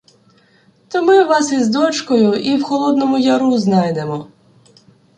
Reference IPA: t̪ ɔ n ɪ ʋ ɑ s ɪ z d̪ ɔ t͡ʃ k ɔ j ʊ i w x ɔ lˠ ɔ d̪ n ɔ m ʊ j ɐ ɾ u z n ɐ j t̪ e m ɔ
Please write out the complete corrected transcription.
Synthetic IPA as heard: t̪ ɔ m ɪ ʋ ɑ s i z d̪ ɔ t͡ʃ k ɔ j ʊ i w x ɔ lˠ ɔ d̪ n ɔ m ʊ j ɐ ɾ u z n ɑ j d̪ e m ɔ

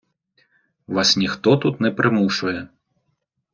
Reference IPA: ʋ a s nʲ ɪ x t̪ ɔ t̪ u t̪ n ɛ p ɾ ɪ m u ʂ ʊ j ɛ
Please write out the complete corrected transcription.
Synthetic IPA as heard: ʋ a s nʲ i x t̪ ɔ t̪ u t̪ n ɛ p ɾ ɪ m u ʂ ʊ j ɛ

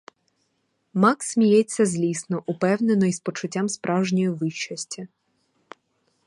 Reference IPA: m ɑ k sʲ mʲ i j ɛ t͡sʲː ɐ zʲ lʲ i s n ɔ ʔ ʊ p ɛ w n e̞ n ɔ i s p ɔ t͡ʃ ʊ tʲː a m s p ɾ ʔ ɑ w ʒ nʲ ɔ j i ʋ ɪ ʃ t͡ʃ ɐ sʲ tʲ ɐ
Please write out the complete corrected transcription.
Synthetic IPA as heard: m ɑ k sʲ mʲ i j ɛ t͡sʲː ɐ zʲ lʲ i s n ɔ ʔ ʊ p ɛ w n e̞ n ɔ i s p ɔ t͡ʃ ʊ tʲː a m s p ɾ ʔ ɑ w ʒ nʲ ɔ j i ʋ ɪ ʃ t͡ʃ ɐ sʲ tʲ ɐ

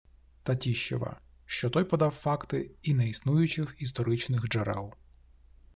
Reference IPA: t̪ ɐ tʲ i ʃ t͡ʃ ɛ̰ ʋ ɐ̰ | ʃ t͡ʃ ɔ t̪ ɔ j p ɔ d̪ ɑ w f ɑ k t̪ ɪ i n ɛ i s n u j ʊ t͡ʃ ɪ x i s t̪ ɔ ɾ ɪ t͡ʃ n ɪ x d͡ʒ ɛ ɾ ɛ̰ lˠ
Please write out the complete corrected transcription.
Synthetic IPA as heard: t̪ ɐ tʲ i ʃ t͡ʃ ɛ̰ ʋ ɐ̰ | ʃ t͡ʃ ɔ t̪ ɔ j p ɔ d̪ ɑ w f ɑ k t̪ ɪ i n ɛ i s n u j ʊ t͡ʃ ɪ x i s t̪ ɔ ɾ ɪ t͡ʃ n ɪ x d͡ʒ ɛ ɾ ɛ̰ lˠ

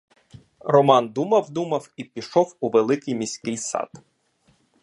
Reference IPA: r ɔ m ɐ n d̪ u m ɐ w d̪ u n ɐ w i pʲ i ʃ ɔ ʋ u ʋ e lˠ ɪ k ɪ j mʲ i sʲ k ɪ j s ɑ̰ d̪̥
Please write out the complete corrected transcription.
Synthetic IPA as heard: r ɔ m ɑ n d̪ u m ɐ w d̪ u m ɐ w i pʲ i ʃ ɔ w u ʋ e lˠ ɪ k ɪ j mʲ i sʲ k ɪ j s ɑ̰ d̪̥

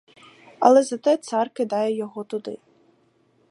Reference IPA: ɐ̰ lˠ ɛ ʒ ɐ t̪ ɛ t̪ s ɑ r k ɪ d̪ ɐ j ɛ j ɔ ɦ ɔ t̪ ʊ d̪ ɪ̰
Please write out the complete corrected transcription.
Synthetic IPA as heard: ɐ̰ lˠ ɛ z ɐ t̪ ɛ t̪ s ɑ r k ɪ d̪ ɑ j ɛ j ɔ ɦ ɔ t̪ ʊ d̪ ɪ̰

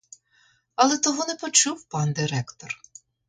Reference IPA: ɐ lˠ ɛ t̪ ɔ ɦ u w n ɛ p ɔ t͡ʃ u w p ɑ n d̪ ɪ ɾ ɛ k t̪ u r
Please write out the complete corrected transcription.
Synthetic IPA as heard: ɐ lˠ ɛ t̪ ɔ ɦ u n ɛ p ɔ t͡ʃ u w p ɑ n d̪ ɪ ɾ ɛ k t̪ ɔ r

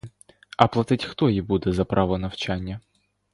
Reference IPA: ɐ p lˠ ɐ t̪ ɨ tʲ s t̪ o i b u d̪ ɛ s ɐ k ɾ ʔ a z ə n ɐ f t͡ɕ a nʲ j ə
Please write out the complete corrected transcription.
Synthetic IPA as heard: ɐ p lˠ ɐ t̪ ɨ tʲ x t̪ o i b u d̪ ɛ z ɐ p ɾ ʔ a v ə n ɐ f t͡ɕ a nʲ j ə

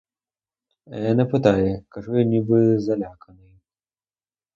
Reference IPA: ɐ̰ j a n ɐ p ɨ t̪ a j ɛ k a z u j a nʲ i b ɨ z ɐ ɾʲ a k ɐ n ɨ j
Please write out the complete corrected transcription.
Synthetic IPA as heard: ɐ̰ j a n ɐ p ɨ t̪ a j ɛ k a ʐ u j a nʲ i b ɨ z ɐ lʲ a k ɐ n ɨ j

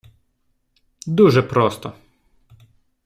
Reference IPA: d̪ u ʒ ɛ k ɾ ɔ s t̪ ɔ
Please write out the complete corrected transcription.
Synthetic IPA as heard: d̪ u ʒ ɛ p ɾ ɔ s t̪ ɔ

